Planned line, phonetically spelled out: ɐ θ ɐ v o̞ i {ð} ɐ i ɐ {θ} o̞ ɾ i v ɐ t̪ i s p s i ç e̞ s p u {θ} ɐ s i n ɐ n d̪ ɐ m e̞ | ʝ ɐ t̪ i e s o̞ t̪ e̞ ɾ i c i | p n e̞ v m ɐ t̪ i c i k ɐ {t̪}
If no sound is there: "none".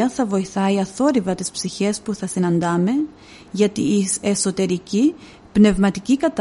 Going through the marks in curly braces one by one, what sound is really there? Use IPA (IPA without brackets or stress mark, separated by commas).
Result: θ, θ, θ, t̪